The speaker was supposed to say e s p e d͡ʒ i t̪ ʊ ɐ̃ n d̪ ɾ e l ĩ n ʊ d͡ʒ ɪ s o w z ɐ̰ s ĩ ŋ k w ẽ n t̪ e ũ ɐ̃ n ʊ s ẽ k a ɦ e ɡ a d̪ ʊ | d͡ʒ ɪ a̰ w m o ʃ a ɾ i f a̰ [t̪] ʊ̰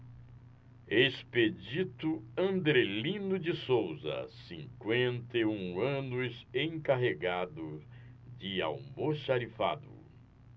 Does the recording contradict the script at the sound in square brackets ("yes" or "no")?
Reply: yes